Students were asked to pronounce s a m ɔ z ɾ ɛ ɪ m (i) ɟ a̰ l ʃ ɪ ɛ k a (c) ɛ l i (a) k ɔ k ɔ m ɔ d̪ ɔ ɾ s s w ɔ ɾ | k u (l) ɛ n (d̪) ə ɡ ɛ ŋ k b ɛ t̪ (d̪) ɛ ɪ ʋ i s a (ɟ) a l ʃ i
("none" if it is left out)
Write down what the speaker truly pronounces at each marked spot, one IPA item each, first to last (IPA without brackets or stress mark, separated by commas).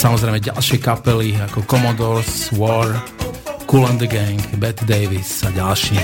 ɛ, p, a, l, d̪, d̪, ɟ